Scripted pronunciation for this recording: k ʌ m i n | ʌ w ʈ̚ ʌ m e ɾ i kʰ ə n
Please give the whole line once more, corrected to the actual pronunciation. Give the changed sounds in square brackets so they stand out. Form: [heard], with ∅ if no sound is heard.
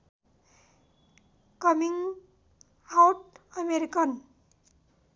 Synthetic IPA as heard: k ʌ m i [ŋ] | [a] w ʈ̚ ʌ m e ɾ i [k] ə n